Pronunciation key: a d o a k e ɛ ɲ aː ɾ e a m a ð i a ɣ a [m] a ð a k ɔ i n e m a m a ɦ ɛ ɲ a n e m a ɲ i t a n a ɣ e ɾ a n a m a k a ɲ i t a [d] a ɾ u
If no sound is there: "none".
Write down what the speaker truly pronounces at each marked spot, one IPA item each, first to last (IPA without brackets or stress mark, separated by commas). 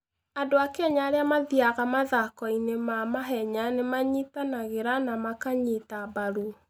m, b